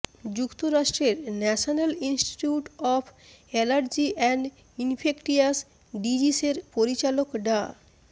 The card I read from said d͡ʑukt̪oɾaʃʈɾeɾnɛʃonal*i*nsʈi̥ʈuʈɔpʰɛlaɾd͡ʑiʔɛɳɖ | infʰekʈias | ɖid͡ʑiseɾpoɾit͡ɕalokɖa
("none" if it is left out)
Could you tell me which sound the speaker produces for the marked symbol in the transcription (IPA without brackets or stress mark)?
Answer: i